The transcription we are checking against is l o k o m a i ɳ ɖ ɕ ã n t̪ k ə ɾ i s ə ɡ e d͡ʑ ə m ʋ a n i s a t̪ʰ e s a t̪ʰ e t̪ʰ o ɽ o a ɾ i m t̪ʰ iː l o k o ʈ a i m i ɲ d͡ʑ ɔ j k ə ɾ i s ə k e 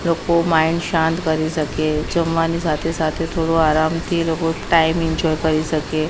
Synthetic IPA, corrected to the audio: l o k o m a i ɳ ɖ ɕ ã n t̪ k ə ɾ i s ə k e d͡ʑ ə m ʋ a n i s a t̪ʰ e s a t̪ʰ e t̪ʰ o ɽ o a ɾ a m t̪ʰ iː l o k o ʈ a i m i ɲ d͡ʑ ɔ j k ə ɾ i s ə k e